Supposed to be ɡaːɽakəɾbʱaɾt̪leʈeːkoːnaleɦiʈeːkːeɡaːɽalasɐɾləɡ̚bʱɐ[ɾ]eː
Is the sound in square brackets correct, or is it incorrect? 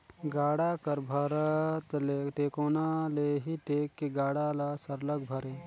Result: correct